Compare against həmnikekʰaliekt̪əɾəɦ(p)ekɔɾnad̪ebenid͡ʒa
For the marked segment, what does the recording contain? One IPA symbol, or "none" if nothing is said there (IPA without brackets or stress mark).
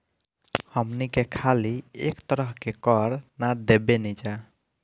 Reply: k